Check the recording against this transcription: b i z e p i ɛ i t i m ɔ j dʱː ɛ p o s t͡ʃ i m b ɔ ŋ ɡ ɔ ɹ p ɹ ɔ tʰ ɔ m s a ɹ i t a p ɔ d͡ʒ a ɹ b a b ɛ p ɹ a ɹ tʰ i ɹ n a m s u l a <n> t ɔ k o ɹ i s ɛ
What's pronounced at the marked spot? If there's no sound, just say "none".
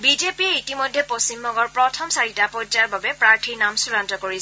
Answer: n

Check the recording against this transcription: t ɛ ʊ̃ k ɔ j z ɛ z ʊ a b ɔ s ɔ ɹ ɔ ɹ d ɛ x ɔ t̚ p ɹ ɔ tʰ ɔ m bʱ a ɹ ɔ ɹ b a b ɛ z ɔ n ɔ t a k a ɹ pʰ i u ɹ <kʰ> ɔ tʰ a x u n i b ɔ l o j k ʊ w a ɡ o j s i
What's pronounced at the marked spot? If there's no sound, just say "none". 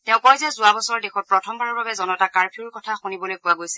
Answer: k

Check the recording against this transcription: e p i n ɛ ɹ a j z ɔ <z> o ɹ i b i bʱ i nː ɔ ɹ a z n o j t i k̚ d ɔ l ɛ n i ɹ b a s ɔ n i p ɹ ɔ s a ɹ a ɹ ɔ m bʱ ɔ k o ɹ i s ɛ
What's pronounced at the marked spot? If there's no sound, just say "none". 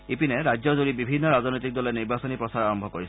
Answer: z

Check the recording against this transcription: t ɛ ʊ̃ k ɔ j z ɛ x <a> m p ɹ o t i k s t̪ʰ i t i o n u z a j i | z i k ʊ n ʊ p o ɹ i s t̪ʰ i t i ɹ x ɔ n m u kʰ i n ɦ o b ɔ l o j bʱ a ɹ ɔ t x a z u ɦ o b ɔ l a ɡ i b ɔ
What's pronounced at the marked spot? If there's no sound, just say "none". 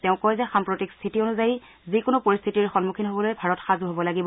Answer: a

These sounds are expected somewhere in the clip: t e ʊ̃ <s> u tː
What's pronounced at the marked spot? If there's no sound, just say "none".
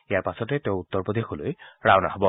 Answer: none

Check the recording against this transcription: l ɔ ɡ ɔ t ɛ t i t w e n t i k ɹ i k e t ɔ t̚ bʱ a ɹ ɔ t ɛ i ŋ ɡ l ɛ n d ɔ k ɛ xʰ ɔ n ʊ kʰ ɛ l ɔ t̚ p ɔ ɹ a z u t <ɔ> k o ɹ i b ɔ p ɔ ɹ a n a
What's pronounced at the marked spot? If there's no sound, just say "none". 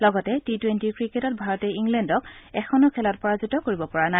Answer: ɔ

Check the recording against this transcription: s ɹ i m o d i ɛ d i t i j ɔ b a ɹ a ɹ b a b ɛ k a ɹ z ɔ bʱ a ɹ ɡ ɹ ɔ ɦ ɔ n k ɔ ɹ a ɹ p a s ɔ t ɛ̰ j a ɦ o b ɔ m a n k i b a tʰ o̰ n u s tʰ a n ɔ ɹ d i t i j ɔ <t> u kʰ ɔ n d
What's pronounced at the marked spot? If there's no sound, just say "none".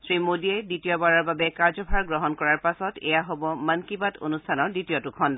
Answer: t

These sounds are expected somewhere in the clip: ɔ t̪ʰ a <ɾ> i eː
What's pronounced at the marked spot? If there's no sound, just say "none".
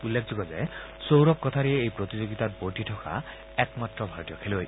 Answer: ɾ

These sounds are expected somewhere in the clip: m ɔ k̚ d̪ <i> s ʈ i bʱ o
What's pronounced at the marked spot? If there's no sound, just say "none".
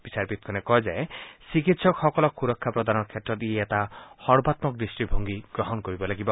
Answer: i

